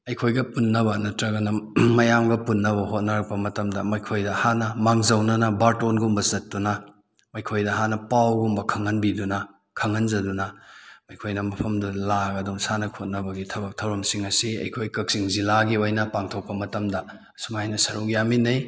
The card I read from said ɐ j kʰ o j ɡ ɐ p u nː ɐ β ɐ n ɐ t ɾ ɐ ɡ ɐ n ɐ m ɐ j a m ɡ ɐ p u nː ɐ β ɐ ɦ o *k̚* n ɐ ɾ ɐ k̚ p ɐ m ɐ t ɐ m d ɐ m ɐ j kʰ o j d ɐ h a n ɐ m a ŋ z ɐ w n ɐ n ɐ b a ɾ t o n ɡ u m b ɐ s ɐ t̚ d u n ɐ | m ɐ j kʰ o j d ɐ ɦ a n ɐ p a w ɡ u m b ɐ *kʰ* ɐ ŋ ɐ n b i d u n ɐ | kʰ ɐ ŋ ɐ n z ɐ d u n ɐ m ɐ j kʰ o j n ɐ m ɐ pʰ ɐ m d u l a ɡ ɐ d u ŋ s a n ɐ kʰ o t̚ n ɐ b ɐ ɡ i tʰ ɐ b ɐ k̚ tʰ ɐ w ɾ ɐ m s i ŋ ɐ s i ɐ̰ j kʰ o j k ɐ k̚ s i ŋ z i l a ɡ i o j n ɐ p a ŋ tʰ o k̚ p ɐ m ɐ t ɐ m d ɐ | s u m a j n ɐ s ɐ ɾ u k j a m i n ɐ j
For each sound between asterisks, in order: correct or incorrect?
incorrect, correct

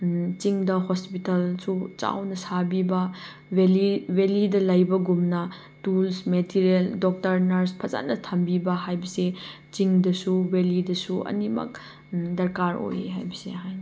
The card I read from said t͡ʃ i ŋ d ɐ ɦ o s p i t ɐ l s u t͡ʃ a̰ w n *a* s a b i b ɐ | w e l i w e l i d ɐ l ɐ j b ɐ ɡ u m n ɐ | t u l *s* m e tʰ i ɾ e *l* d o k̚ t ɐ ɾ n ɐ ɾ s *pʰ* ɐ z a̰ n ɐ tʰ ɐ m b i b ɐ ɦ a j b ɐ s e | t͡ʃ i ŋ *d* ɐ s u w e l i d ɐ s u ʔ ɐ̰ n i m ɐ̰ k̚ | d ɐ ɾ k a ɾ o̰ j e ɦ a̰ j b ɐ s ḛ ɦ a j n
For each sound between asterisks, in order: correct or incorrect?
incorrect, correct, correct, correct, correct

